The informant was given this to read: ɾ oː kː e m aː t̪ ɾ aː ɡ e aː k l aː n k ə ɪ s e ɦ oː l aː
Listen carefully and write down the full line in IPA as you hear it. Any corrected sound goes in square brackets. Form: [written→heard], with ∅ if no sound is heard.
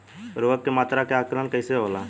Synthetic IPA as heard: ɾ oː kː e m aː t̪ ɾ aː [ɡ→k] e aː k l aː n k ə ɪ s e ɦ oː l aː